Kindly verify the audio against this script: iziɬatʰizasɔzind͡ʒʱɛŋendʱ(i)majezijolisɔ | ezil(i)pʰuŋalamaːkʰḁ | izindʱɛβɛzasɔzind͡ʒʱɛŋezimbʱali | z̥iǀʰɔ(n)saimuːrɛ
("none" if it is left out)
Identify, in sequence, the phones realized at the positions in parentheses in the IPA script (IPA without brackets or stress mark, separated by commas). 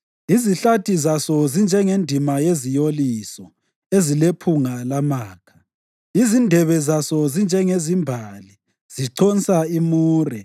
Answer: i, e, n